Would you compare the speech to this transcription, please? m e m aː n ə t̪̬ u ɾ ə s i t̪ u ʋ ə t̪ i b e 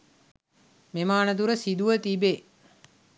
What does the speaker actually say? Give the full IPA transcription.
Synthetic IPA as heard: m e m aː n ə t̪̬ u ɾ ə s i d̪ u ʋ ə t̪ i b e